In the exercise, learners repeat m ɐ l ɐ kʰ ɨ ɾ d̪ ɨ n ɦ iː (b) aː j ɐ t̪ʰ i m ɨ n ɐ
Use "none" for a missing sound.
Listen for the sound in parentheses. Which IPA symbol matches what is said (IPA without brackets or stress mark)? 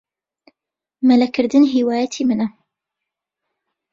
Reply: w